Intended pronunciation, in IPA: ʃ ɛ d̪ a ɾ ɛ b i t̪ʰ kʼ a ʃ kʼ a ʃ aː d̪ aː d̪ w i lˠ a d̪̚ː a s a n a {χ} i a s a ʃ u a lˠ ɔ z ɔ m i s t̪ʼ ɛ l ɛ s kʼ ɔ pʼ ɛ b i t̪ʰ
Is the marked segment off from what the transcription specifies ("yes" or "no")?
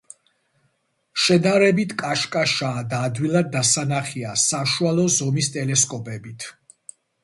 no